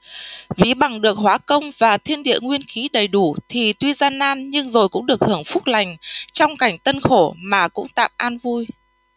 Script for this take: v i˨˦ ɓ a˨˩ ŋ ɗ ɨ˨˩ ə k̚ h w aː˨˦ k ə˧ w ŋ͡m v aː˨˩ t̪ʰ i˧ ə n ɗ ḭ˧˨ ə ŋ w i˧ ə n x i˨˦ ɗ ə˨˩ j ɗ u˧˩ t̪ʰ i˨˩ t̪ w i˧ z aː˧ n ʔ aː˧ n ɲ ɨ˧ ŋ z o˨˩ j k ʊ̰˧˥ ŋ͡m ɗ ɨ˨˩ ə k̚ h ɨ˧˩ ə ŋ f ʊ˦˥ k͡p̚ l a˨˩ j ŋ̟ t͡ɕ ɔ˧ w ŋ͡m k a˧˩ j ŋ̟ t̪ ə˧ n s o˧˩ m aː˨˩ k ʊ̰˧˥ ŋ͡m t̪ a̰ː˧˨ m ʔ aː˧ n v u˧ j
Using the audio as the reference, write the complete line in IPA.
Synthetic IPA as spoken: v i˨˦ ɓ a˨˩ ŋ ɗ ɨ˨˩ ə k̚ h w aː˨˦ k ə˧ w ŋ͡m v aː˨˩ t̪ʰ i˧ ə n ɗ ḭ˧˨ ə ŋ w i˧ ə n x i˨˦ ɗ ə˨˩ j ɗ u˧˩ t̪ʰ i˨˩ t̪ w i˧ z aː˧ n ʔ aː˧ n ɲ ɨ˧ ŋ z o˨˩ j k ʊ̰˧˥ ŋ͡m ɗ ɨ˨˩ ə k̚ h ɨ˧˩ ə ŋ f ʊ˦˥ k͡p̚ l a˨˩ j ŋ̟ t͡ɕ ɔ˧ w ŋ͡m k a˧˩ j ŋ̟ t̪ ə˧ n x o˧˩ m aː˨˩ k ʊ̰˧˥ ŋ͡m t̪ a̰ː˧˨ m ʔ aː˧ n v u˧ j

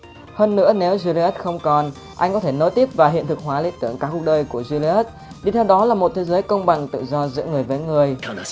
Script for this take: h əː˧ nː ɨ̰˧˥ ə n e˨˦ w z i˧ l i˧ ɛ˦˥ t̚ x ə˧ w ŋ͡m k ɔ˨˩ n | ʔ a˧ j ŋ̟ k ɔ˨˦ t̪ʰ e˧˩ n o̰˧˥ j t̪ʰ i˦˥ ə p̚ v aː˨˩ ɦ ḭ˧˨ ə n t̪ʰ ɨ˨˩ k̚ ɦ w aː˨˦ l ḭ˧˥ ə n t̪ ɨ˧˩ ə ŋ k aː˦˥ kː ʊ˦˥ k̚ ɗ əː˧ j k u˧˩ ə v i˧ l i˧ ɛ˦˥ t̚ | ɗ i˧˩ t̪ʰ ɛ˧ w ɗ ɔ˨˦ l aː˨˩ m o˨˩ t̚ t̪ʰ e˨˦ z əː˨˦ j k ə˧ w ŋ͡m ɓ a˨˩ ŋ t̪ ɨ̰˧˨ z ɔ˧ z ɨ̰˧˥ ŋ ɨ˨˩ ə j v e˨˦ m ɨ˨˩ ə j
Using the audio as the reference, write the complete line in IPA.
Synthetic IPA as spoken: h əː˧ nː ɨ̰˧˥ ə n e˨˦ w z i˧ l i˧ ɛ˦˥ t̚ x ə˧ w ŋ͡m k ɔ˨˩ n | ʔ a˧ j ŋ̟ k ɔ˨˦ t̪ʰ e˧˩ n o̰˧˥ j t̪ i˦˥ ə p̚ v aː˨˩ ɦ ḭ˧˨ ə n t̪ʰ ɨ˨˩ k̚ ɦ w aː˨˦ l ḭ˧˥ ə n t̪ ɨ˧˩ ə ŋ k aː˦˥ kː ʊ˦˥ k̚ ɗ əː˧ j k u˧˩ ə z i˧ l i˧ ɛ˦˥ t̚ | ɗ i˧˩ t̪ʰ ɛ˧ w ɗ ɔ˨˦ l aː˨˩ m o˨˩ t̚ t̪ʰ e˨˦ z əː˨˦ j k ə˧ w ŋ͡m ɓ a˨˩ ŋ t̪ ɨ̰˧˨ z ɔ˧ z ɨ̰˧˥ ŋ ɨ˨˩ ə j v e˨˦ ŋ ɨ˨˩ ə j

